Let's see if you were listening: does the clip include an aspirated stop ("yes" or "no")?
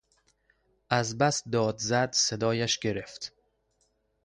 no